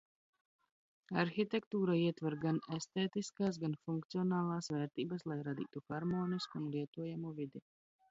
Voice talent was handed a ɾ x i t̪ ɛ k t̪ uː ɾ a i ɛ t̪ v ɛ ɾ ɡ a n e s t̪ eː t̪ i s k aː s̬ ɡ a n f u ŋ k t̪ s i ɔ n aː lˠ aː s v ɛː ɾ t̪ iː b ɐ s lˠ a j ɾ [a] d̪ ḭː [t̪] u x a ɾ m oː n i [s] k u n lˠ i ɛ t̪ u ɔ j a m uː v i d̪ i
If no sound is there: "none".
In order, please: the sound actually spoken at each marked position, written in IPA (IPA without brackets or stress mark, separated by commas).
a, t̪, s